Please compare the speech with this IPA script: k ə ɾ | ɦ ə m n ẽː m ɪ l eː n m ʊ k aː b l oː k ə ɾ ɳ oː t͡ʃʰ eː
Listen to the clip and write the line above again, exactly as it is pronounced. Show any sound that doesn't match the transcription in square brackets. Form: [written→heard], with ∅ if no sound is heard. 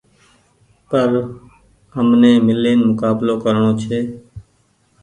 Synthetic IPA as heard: [k→p] ə ɾ | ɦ ə m n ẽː m ɪ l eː n m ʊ k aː b l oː k ə ɾ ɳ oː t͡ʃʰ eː